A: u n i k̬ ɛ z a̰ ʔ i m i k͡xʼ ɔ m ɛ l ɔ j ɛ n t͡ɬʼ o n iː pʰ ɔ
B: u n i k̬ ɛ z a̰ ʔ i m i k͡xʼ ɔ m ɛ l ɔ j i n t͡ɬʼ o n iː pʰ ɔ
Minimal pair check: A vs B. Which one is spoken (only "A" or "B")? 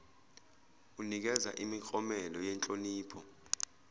A